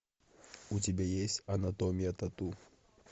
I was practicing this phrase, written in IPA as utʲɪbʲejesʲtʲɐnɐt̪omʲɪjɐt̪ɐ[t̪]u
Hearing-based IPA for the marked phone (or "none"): t̪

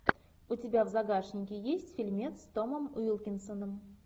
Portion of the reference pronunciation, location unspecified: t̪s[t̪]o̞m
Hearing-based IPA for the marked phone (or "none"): t̪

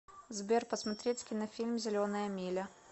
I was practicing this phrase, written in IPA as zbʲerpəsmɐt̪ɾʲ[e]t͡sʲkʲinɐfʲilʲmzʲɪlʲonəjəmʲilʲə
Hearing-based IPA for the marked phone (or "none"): e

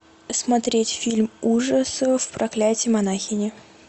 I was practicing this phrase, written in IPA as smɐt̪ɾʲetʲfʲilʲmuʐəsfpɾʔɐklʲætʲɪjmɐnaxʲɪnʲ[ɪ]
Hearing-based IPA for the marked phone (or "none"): ɪ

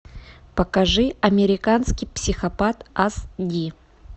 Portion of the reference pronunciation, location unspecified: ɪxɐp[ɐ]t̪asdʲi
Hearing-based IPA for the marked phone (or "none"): a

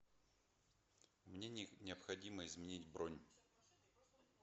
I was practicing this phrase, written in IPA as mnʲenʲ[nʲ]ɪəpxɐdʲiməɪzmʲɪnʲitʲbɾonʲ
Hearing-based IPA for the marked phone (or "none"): nʲ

